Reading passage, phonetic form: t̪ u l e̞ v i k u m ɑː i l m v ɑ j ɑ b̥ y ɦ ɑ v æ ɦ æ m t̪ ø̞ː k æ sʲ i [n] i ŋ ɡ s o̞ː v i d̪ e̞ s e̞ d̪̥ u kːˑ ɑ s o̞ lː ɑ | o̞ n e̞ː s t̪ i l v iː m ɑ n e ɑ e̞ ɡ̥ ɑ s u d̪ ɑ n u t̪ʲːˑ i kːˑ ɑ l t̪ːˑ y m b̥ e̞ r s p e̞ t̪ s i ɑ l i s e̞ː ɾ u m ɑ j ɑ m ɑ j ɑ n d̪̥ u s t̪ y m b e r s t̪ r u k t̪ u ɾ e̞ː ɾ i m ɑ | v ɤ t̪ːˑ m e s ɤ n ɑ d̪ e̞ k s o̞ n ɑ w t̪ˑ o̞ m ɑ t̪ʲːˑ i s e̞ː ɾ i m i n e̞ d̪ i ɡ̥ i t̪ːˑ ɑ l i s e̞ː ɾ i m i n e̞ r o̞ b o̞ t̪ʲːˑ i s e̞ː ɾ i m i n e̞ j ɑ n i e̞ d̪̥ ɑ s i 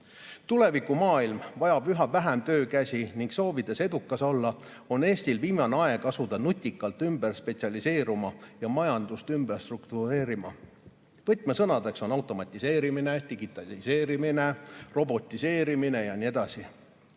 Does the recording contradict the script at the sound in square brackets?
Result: no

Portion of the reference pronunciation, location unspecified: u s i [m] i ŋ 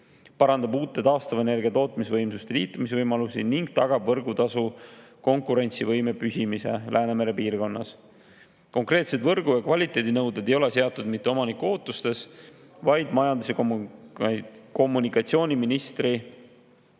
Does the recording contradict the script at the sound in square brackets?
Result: yes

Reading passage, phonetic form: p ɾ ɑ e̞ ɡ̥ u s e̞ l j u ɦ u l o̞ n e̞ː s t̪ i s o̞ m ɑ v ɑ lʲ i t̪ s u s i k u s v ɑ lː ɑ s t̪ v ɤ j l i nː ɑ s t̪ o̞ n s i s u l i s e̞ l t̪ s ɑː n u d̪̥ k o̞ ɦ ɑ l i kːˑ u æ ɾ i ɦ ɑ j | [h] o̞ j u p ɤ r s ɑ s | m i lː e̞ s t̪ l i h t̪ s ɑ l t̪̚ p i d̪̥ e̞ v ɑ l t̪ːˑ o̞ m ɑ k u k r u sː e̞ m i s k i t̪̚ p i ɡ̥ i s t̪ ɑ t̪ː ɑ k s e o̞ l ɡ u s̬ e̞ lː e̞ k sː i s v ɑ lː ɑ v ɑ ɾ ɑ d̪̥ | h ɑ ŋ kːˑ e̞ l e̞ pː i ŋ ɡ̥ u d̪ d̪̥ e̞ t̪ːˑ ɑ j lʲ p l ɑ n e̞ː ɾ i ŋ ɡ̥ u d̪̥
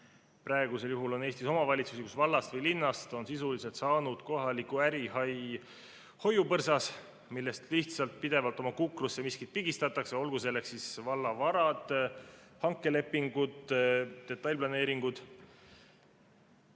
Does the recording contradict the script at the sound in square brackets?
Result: no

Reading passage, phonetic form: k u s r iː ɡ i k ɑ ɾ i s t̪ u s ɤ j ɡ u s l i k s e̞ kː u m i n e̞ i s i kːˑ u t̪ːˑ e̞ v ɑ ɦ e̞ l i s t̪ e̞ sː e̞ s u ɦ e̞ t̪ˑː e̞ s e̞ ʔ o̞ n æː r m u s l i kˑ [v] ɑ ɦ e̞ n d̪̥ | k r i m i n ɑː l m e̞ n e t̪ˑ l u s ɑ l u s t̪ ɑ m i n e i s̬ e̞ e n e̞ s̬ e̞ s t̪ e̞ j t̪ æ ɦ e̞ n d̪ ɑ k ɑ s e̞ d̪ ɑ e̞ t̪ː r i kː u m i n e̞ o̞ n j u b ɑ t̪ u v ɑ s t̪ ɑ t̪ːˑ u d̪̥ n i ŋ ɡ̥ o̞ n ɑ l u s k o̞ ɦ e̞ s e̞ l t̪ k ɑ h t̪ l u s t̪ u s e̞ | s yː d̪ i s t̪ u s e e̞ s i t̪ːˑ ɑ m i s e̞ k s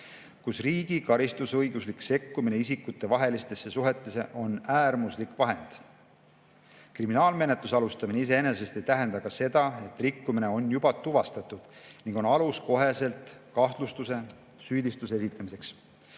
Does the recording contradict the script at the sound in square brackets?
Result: no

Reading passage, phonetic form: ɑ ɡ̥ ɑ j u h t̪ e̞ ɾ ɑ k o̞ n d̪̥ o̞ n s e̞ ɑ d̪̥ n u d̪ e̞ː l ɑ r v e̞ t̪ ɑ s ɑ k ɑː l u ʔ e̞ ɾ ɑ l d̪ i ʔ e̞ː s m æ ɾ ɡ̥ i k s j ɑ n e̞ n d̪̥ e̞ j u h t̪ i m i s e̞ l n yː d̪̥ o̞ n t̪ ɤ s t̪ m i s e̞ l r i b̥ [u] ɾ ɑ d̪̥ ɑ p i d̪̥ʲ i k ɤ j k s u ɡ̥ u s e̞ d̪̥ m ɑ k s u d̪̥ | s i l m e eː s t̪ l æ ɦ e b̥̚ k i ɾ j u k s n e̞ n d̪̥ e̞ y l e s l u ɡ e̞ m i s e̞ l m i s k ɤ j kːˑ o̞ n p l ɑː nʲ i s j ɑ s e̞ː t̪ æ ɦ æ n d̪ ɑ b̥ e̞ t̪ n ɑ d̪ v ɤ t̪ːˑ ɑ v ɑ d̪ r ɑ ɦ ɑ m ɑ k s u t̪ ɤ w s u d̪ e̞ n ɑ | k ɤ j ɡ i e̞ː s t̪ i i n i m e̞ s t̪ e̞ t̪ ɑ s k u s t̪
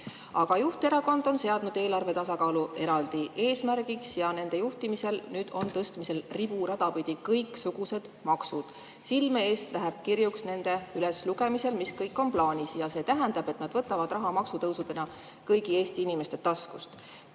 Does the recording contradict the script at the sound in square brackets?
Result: no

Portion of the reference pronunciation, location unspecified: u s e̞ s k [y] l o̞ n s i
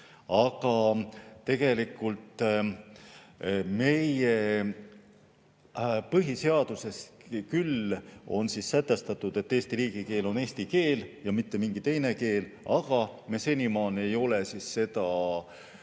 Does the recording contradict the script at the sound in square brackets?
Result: no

